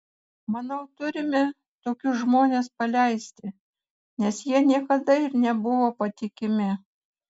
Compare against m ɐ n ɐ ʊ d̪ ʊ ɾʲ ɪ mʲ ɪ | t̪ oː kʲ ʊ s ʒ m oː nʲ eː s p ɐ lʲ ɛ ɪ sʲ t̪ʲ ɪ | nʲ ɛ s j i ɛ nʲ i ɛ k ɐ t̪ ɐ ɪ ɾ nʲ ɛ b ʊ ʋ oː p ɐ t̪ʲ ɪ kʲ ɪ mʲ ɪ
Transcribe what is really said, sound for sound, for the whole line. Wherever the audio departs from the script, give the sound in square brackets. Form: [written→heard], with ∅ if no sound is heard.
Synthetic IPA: m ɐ n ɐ ʊ [d̪→t̪] ʊ ɾʲ ɪ mʲ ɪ | t̪ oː kʲ ʊ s ʒ m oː nʲ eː s p ɐ lʲ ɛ ɪ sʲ t̪ʲ ɪ | nʲ ɛ s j i ɛ nʲ i ɛ k ɐ [t̪→d̪] ɐ ɪ ɾ nʲ ɛ b ʊ ʋ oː p ɐ t̪ʲ ɪ kʲ ɪ mʲ ɪ